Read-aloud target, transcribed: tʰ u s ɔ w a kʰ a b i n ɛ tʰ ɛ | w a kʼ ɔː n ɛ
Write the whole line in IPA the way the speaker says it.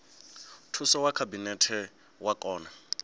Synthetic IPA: tʰ u s ɔ w a kʰ a b i n ɛ tʰ ɛ | w a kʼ ɔː n a